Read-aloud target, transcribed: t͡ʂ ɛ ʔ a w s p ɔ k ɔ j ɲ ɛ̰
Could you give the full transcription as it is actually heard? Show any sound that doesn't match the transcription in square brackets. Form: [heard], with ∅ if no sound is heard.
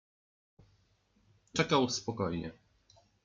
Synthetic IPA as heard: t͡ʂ ɛ [k] a w s p ɔ k ɔ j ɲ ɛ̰